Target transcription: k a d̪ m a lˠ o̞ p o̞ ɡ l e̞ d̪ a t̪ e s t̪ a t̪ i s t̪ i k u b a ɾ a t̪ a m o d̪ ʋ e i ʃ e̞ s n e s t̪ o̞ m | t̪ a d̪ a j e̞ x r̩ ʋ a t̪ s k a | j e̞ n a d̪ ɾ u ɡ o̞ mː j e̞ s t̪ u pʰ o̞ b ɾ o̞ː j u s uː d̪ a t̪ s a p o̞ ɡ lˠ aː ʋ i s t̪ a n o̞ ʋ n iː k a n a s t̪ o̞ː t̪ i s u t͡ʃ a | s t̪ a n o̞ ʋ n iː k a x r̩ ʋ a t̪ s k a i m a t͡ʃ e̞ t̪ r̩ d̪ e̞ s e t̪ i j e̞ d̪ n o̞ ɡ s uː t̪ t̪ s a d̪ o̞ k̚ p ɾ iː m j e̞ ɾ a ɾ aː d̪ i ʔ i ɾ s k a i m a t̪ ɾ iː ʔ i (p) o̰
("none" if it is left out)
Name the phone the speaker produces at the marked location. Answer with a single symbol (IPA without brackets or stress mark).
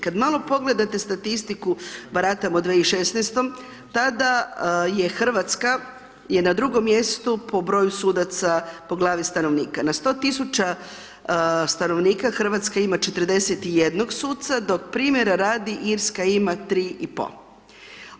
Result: p